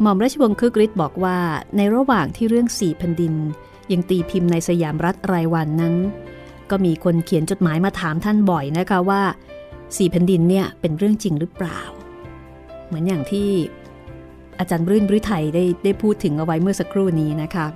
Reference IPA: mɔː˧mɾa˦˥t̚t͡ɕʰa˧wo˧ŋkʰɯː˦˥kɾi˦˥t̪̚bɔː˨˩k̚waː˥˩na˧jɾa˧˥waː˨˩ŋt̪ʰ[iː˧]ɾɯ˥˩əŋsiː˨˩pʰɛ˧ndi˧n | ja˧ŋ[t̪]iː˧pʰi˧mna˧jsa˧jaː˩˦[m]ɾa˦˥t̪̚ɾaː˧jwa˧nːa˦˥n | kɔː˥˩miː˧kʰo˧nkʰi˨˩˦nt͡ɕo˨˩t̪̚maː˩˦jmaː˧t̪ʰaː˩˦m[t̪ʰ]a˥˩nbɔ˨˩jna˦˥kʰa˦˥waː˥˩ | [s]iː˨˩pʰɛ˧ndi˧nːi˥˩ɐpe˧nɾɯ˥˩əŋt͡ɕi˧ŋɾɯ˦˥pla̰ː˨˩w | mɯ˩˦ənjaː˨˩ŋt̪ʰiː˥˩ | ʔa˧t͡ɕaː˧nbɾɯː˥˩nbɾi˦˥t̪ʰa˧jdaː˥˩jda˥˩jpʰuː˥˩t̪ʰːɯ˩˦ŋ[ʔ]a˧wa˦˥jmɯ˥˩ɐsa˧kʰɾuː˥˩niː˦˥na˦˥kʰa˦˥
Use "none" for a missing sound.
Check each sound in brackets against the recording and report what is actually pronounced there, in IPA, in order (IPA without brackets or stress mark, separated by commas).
iː˥˩, t̪, m, t̪ʰ, s, ʔ